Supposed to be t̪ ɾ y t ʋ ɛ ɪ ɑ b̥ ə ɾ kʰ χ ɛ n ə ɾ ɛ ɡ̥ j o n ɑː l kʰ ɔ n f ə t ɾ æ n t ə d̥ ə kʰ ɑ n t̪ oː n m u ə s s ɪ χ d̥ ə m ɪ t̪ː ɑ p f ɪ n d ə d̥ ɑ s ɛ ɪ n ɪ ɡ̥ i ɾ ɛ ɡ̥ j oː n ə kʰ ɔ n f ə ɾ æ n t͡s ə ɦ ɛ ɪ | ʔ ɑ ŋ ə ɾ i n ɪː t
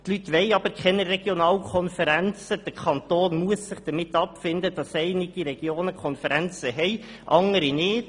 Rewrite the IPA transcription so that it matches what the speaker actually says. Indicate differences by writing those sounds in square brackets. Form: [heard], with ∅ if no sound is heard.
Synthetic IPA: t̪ [l] y t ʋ ɛ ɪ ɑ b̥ ə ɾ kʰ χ ɛ n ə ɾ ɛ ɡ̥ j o n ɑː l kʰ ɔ n f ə [∅] ɾ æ n [t͡s] ə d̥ ə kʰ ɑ n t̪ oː n m u ə s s ɪ χ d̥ ə m ɪ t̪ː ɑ p f ɪ n d ə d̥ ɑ s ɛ ɪ n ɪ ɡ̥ i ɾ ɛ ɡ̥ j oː n ə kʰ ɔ n f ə ɾ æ n t͡s ə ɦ ɛ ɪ | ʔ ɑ ŋ ə ɾ i n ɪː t